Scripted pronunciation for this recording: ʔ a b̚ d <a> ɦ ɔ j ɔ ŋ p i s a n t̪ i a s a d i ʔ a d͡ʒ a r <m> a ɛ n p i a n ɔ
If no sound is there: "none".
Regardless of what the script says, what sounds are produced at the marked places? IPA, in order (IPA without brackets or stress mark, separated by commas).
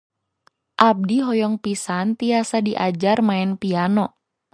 i, m